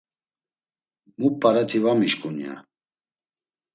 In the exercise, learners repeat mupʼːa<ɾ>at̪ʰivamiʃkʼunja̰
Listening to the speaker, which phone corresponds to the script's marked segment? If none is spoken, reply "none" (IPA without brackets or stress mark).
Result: ɾ